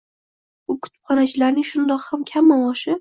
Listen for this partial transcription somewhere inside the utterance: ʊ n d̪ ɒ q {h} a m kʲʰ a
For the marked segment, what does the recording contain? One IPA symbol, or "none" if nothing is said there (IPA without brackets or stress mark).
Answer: h